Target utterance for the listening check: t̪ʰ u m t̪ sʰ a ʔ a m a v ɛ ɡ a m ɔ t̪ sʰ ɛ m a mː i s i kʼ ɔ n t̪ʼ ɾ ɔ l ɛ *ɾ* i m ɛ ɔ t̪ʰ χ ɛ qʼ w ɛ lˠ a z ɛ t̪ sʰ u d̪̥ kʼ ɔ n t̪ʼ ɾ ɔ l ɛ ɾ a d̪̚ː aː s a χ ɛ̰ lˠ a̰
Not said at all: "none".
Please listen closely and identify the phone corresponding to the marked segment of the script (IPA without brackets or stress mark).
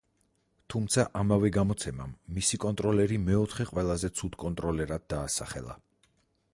ɾ